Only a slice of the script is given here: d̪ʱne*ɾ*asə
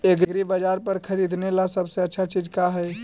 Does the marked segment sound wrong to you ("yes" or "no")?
yes